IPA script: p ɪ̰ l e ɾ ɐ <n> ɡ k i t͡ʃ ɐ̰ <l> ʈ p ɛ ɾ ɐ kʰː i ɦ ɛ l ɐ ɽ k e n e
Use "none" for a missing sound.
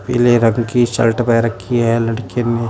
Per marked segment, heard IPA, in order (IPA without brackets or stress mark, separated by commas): ŋ, l